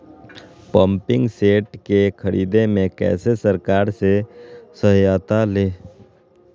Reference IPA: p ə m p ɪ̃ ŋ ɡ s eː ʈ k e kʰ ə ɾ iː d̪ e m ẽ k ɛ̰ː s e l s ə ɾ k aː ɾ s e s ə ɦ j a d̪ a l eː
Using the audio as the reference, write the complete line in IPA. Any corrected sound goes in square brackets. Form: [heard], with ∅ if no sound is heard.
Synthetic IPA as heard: p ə m p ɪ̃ ŋ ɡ s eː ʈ k e kʰ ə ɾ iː d̪ e m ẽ k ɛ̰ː s e [∅] s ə ɾ k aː ɾ s e s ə ɦ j a [t̪] a l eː